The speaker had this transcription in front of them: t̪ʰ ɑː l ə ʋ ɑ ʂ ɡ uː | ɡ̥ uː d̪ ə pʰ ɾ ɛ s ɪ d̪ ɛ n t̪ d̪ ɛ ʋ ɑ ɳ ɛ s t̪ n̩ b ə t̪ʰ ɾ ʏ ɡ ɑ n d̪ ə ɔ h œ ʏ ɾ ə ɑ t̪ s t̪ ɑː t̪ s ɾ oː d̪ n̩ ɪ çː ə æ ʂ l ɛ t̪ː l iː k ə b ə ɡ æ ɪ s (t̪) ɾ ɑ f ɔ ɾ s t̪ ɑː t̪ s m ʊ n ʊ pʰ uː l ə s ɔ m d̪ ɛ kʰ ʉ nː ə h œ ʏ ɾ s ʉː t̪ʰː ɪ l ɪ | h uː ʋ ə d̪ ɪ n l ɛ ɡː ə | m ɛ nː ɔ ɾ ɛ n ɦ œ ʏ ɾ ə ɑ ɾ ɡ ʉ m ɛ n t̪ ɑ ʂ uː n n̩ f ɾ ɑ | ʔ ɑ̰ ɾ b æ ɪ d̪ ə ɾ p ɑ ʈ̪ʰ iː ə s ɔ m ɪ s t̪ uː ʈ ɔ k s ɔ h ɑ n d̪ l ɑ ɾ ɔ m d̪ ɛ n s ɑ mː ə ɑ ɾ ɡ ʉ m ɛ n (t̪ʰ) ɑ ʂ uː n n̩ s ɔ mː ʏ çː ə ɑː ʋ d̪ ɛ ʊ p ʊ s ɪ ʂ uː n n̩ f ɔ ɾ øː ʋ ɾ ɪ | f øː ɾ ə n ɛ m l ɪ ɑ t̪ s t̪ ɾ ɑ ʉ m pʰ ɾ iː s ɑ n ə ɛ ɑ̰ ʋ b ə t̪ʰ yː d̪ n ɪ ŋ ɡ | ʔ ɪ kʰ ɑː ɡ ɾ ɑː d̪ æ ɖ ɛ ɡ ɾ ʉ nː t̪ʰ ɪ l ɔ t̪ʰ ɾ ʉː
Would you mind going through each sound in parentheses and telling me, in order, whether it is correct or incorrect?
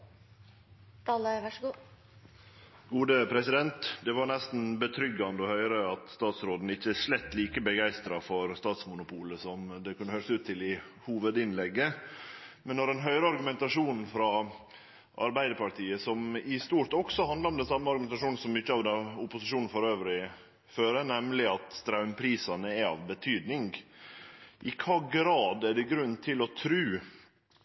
correct, incorrect: t̪

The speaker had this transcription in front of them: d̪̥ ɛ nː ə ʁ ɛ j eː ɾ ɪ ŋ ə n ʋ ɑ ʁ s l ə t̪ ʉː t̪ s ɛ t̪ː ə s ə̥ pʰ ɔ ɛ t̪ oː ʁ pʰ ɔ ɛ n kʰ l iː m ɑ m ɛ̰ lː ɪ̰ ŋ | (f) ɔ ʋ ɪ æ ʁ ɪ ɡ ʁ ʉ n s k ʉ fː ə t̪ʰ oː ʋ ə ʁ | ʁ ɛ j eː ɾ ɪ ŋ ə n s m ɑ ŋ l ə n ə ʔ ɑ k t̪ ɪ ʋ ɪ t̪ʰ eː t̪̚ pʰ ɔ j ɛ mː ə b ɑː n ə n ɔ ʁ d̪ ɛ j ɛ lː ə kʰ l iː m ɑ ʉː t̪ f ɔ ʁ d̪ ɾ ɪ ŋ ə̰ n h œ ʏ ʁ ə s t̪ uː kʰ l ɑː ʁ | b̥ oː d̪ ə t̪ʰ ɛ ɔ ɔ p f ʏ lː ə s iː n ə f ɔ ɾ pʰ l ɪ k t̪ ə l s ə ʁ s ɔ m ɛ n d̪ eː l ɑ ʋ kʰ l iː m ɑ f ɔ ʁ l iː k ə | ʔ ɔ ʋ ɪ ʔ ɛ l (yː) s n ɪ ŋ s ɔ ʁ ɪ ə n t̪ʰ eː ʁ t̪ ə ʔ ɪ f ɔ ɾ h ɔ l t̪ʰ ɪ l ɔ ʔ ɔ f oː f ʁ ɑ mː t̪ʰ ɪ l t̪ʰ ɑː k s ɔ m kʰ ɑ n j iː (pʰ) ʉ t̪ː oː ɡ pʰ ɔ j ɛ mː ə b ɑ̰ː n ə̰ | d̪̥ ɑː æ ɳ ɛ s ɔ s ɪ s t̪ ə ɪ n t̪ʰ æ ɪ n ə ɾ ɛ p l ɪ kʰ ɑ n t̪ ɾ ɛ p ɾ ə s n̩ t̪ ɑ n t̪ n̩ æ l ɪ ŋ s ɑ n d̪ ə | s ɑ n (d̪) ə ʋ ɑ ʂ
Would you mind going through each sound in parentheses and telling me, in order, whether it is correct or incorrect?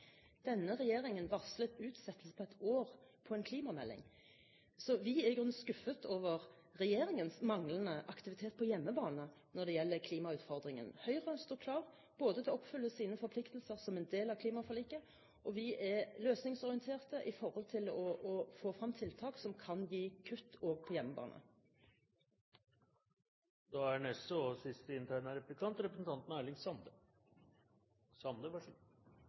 incorrect: s, incorrect: øː, incorrect: kʰ, correct

